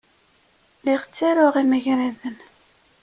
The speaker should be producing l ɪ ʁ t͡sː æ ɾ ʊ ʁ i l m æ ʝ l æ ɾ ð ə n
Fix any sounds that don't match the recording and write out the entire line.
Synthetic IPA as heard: l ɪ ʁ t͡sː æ ɾ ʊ ʁ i m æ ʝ ɾ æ ð ə n